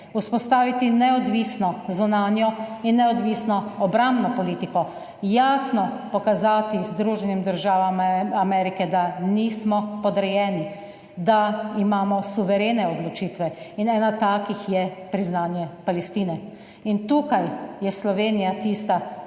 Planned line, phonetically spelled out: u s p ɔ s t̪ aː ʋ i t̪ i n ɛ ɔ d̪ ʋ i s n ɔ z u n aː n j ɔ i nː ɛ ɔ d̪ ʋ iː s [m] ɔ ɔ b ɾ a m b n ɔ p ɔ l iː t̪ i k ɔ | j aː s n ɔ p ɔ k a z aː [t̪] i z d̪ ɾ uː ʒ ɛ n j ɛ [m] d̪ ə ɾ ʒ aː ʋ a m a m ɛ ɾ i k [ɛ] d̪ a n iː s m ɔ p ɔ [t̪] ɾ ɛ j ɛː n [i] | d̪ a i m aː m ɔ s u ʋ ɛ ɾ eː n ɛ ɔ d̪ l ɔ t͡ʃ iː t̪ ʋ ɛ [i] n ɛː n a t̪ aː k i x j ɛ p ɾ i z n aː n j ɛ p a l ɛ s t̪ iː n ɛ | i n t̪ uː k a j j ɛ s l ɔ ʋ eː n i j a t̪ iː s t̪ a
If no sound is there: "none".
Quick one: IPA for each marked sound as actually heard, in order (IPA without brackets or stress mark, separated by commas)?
n, t̪, m, ɛ, d̪, i, i